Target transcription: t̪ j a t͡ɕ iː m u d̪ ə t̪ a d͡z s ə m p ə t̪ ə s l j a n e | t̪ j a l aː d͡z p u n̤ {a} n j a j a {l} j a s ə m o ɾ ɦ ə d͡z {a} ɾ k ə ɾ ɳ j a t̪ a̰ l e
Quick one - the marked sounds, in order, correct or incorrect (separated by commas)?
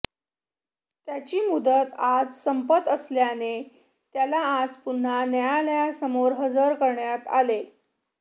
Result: correct, correct, incorrect